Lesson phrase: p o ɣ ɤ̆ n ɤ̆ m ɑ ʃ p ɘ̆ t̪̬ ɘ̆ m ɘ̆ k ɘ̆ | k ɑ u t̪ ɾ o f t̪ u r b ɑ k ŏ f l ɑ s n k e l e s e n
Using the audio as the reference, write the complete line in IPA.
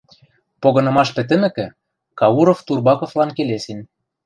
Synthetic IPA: p o ɣ ɤ̆ n ɤ̆ m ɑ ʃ p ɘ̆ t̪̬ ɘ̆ m ɘ̆ k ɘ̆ | k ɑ u ɾ o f t̪ u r b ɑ k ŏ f l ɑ n k e l e s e n